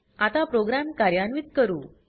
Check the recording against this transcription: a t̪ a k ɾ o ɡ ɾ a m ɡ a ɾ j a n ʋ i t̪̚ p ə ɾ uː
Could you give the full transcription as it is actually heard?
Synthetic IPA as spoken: a t̪ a p ɾ o ɡ ɾ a m k a ɾ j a n ʋ i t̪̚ k ə ɾ uː